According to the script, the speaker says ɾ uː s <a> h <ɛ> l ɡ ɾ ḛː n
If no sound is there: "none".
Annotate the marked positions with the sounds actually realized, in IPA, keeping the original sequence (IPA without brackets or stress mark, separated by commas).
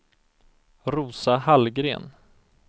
a, a